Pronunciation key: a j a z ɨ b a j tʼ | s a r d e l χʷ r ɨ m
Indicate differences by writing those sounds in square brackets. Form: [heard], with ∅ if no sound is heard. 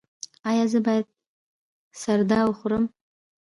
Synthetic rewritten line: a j a z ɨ b a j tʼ | s a r d [a] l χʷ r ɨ m